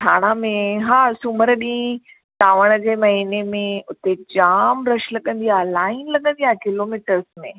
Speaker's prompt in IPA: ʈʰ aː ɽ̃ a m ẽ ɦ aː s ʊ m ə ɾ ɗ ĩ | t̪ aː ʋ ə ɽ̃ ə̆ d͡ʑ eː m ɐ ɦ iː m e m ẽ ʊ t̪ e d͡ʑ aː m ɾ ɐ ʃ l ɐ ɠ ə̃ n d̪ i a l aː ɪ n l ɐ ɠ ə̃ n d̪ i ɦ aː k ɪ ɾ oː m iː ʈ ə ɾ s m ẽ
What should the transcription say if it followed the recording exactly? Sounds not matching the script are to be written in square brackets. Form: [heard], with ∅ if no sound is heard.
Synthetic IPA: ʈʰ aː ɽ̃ a m ẽ ɦ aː s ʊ m ə ɾ ɗ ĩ | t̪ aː ʋ ə ɽ̃ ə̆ d͡ʑ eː m ɐ ɦ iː [n] e m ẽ ʊ t̪ e d͡ʑ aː m ɾ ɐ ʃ l ɐ ɠ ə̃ n d̪ i a l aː ɪ n l ɐ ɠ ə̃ n d̪ i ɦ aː k ɪ [l] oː m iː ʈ ə ɾ s m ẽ